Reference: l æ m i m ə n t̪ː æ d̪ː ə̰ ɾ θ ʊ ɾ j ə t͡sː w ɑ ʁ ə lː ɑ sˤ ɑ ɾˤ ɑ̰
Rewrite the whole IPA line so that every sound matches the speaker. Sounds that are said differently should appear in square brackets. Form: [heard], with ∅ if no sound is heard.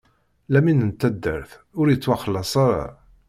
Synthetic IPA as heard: l æ m i [n] ə n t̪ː æ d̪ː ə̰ ɾ θ ʊ ɾ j ə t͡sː w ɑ [χ] ə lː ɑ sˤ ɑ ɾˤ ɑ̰